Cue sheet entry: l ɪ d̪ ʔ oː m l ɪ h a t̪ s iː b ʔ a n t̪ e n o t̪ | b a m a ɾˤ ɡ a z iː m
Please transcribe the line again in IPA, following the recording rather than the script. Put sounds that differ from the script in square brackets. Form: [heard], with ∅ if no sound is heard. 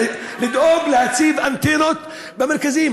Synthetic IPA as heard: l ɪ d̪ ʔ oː [b] l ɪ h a t̪ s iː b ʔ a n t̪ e n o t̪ | b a m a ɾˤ [k] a z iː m